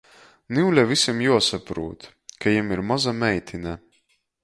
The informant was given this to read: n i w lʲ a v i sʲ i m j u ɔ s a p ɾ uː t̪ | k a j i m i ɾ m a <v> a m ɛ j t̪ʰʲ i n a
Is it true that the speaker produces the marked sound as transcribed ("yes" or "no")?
no